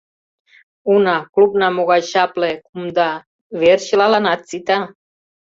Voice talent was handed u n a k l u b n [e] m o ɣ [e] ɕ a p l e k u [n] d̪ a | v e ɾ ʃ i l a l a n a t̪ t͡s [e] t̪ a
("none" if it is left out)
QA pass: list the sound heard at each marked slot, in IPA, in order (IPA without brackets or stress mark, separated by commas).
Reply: a, a, m, i